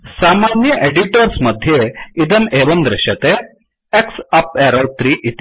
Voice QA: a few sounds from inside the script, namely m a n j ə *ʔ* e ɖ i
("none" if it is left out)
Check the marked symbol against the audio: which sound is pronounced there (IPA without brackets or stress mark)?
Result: ʔ